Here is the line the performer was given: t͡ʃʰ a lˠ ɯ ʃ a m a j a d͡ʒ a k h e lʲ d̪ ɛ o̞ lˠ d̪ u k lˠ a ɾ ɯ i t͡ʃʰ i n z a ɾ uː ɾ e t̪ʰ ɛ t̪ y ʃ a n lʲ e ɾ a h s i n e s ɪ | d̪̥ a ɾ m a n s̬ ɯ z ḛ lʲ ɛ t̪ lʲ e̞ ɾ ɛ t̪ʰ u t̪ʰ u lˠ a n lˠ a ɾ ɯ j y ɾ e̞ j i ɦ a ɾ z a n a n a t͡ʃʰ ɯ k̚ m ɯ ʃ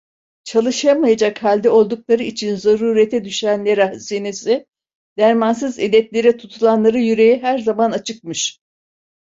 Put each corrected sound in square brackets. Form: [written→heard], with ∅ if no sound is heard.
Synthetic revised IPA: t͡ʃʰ a lˠ ɯ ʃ a m a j a d͡ʒ a k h [e→a] lʲ d̪ ɛ o̞ lˠ d̪ u k lˠ a ɾ ɯ i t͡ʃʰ i n z a ɾ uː ɾ e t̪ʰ ɛ [t̪→d̪] y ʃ [a→æ] n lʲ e ɾ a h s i n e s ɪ | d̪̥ [a→æ] ɾ m a n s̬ ɯ z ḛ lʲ ɛ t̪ lʲ e̞ ɾ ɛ t̪ʰ u t̪ʰ u lˠ a n lˠ a ɾ ɯ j y ɾ e̞ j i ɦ [a→æ] ɾ z a [n→m] a n a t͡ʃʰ ɯ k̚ m ɯ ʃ

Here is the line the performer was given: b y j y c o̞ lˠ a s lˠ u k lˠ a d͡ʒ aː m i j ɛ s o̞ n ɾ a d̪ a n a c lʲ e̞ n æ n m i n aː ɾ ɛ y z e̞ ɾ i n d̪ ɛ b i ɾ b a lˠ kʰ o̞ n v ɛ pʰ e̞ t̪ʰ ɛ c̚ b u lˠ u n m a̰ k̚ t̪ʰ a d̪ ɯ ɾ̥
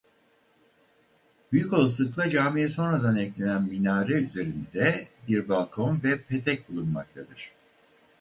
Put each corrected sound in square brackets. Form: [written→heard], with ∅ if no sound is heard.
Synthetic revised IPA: b y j y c o̞ lˠ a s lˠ [u→ɯ] k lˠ a d͡ʒ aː m i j ɛ s o̞ n ɾ a d̪ a n [a→ɛ] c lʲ e̞ n æ n m i n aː ɾ ɛ y z e̞ ɾ i n d̪ ɛ b i ɾ b a lˠ kʰ o̞ n v ɛ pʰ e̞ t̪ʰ ɛ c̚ b u lˠ u n m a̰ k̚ t̪ʰ a d̪ ɯ ɾ̥

